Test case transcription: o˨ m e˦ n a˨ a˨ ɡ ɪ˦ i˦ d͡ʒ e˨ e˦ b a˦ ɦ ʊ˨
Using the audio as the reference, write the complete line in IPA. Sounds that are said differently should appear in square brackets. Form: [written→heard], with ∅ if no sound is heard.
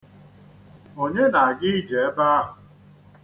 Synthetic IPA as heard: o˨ [m→ɲ] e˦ n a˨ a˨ ɡ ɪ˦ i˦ d͡ʒ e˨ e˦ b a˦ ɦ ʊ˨